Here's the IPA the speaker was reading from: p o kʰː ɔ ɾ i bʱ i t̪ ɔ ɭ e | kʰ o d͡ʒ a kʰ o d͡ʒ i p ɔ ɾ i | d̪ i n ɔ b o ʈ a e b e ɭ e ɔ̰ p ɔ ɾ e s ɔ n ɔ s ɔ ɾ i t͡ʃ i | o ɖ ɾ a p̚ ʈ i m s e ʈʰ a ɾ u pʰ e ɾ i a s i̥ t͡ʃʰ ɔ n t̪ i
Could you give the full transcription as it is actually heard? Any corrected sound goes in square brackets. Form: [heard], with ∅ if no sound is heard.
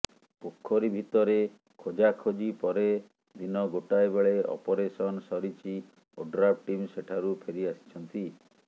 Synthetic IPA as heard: p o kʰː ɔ ɾ i bʱ i t̪ ɔ [ɾ] e | kʰ o d͡ʒ a kʰ o d͡ʒ i p ɔ ɾ [e] | d̪ i n ɔ [ɡ] o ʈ a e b e ɭ e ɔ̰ p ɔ ɾ e s ɔ n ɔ s ɔ ɾ i t͡ʃ i | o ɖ ɾ a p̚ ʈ i m s e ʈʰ a ɾ u pʰ e ɾ i a s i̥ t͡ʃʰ ɔ n t̪ i

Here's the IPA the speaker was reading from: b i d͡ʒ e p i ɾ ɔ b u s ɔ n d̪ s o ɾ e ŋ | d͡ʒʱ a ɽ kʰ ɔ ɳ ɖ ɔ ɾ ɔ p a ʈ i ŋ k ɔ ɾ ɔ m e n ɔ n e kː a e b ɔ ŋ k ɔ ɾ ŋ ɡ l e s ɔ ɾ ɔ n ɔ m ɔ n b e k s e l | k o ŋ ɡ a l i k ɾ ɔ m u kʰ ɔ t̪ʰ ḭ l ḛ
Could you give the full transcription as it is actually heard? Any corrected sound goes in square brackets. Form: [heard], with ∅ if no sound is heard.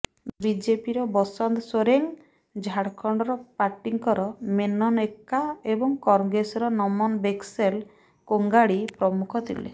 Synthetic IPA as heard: b i d͡ʒ e p i ɾ ɔ b [ɔ] s ɔ n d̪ s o ɾ e ŋ | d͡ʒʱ a ɽ kʰ ɔ ɳ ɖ ɔ ɾ ɔ p a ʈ i ŋ k ɔ ɾ ɔ m e n ɔ n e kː a e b ɔ ŋ k ɔ ɾ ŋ ɡ [ɾ] e s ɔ ɾ ɔ n ɔ m ɔ n b e k s e l | k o ŋ ɡ a [ɽ] i [p] ɾ ɔ m u kʰ ɔ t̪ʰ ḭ l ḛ

